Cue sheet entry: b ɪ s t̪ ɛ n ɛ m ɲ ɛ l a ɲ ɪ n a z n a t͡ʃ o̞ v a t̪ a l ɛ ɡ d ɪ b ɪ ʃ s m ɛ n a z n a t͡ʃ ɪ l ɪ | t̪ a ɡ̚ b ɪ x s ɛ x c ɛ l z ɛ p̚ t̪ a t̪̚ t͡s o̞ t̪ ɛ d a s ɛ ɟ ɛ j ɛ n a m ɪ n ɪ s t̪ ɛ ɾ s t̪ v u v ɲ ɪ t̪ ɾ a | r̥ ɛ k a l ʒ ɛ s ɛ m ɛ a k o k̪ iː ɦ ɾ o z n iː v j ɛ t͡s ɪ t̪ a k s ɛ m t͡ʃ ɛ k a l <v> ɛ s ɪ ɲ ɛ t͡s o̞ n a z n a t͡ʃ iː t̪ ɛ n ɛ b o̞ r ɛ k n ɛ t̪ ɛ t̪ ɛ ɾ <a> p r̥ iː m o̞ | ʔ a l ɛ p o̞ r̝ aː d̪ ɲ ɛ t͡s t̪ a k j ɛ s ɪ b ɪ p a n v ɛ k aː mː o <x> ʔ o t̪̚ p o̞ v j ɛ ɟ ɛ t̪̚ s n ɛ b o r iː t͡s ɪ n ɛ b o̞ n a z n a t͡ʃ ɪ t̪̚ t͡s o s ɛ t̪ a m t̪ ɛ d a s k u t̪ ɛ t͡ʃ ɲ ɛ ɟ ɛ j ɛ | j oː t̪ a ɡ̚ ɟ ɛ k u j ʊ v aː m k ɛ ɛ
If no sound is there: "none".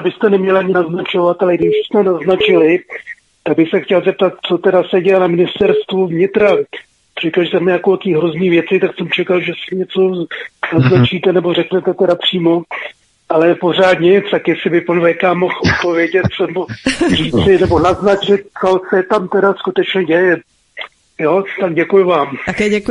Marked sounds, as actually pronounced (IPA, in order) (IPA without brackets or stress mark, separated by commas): ʒ, a, x